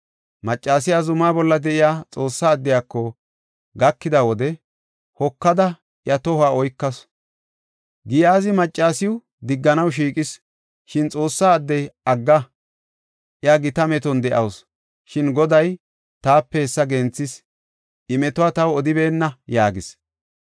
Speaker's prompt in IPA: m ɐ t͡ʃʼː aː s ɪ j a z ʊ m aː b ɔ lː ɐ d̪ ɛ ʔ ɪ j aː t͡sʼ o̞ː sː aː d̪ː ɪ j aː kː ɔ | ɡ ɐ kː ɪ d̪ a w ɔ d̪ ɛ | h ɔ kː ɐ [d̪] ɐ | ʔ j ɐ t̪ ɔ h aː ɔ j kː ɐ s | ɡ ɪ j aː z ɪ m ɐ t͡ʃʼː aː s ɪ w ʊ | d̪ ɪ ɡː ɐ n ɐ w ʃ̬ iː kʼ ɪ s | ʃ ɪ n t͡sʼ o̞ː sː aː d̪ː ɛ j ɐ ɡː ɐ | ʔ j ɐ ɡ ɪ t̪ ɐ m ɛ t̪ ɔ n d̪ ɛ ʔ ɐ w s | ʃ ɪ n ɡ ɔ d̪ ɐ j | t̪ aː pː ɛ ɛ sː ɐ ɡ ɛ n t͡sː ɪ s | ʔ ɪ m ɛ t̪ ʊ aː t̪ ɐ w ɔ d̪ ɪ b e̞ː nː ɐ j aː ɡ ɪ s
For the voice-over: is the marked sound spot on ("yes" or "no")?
yes